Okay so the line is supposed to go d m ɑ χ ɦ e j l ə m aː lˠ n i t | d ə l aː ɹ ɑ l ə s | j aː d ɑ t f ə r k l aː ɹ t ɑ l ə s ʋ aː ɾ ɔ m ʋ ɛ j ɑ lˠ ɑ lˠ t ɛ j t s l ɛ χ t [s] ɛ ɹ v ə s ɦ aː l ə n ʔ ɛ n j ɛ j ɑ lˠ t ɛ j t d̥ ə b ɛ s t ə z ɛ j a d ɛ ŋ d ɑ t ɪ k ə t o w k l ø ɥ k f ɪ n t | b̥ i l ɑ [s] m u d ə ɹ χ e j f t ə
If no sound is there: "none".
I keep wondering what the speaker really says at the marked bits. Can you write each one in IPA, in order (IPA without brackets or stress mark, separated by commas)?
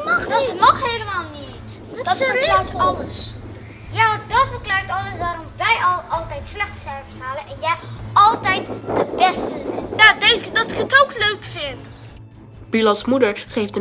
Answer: s, s